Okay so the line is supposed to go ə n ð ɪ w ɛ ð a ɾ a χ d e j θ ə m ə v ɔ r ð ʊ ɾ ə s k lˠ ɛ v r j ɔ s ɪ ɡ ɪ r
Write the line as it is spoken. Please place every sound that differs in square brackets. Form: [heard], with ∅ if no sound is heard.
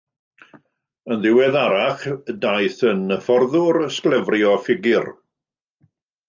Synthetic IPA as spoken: ə n ð ɪ w ɛ ð a ɾ a χ d [a] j θ ə [n] ə [f] ɔ r ð ʊ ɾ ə s k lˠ ɛ v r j ɔ [f] ɪ ɡ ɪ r